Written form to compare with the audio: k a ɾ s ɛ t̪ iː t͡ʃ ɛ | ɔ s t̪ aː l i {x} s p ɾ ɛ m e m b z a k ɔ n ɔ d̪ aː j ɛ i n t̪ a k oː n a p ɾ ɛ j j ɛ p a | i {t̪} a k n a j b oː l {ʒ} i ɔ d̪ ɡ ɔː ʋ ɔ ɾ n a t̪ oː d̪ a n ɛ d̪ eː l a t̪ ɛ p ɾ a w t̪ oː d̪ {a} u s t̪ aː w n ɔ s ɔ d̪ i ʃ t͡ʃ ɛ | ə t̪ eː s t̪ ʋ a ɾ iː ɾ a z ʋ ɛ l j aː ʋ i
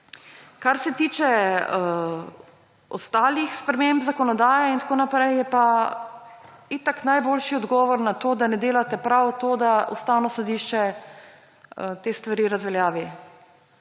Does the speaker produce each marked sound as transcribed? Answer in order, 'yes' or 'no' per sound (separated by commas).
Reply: yes, yes, no, yes